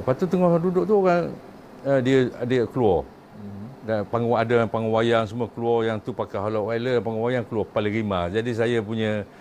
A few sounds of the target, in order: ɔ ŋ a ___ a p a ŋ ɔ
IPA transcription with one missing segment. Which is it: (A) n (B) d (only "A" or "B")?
B